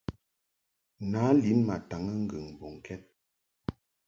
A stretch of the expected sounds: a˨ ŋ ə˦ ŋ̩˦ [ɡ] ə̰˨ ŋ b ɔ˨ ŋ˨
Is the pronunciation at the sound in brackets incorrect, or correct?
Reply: correct